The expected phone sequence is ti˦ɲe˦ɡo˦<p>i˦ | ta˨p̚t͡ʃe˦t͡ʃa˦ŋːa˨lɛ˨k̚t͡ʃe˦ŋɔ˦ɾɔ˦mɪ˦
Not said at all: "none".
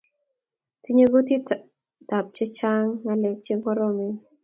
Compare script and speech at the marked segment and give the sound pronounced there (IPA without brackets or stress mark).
t